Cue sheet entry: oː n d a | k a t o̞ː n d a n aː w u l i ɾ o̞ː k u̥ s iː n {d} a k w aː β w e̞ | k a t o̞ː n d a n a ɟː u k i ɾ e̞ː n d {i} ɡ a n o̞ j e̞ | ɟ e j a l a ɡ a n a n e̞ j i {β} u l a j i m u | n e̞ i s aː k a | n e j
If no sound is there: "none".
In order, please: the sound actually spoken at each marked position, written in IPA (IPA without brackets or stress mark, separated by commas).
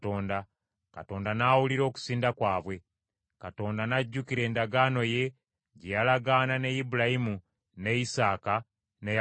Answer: d, a, b